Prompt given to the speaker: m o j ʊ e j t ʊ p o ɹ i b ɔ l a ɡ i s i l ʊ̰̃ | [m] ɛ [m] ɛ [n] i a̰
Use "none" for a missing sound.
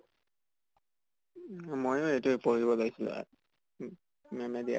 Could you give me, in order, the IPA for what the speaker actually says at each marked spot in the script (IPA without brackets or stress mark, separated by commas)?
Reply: m, m, d